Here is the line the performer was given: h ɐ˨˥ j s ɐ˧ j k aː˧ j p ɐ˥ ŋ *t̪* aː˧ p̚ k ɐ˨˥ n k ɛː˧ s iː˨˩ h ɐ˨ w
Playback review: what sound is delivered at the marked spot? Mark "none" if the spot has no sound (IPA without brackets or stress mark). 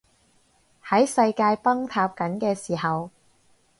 t̪ʰ